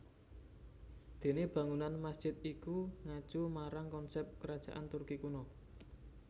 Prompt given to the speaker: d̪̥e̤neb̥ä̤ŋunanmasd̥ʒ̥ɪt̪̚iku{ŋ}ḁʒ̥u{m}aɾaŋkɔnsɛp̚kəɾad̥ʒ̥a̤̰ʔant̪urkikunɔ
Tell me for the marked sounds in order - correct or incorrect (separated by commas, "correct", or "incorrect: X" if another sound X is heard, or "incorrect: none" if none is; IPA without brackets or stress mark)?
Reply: correct, correct